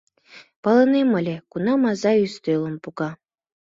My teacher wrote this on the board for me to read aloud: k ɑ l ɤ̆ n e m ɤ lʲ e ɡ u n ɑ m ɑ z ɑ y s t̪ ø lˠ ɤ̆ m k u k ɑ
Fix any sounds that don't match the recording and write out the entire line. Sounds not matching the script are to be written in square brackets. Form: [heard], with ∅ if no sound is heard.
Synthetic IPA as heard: [p] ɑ l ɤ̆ n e m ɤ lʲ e [k] u n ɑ m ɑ z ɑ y s t̪ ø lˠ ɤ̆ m [p] u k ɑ